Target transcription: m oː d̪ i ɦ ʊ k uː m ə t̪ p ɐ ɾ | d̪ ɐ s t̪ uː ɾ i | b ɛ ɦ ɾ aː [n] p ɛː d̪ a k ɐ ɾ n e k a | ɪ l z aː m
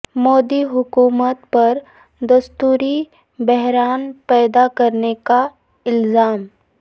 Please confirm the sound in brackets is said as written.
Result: yes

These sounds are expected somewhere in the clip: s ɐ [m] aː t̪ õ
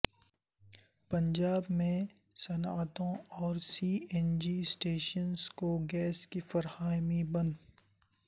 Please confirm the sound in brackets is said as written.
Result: no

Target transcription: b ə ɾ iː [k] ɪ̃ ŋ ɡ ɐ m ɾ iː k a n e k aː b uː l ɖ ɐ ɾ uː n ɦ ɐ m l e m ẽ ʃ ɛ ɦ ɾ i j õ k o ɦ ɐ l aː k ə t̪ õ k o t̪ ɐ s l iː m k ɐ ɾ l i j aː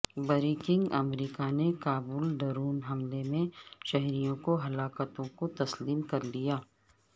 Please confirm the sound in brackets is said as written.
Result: yes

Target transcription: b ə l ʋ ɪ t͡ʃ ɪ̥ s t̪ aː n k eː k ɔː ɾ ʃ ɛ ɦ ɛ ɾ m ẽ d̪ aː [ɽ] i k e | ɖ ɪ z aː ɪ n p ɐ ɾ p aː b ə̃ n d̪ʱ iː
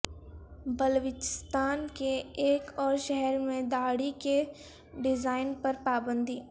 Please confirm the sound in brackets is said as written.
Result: yes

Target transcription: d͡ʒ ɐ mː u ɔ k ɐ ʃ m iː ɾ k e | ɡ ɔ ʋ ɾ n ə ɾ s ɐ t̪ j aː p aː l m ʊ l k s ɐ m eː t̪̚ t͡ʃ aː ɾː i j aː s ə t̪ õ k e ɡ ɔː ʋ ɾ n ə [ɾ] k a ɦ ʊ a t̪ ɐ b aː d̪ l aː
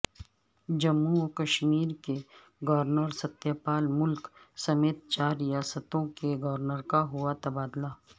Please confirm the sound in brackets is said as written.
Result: yes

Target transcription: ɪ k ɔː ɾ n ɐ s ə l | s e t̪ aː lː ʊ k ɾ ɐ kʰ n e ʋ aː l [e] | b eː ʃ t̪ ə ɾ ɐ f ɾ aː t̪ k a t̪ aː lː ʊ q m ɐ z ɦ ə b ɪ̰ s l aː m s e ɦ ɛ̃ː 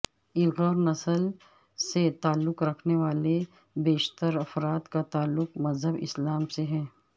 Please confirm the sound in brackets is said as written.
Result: yes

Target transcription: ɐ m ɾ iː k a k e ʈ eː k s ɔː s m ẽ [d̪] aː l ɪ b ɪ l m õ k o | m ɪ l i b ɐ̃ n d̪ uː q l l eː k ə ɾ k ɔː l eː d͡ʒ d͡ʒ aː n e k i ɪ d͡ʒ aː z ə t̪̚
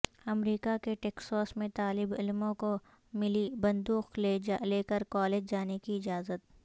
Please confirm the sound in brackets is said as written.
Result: no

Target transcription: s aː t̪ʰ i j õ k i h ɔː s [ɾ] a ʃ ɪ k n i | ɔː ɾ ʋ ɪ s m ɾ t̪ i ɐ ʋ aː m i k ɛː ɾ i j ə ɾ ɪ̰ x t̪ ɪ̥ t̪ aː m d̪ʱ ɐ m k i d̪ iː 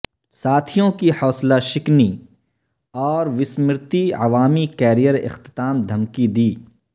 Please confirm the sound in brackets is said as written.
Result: no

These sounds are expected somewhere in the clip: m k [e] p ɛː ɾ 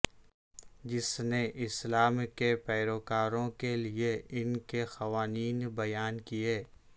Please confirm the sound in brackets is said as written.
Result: yes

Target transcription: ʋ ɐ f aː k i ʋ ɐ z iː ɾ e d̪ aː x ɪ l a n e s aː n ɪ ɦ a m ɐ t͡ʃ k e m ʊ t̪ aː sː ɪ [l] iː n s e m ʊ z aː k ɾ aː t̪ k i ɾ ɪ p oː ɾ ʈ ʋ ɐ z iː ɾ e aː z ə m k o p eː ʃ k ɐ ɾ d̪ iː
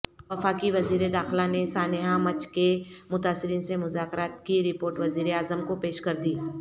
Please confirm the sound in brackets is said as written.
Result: no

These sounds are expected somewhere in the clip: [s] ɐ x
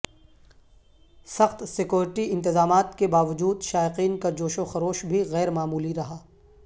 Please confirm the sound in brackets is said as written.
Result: yes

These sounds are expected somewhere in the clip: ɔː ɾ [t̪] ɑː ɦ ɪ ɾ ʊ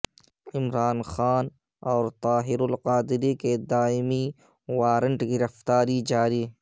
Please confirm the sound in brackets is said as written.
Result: yes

